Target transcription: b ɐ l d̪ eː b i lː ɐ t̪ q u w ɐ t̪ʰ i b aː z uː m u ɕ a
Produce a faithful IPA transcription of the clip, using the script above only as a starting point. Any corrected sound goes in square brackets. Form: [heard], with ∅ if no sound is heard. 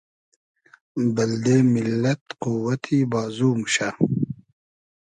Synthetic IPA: b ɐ l d̪ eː [m] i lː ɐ t̪ q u w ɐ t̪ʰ i b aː z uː m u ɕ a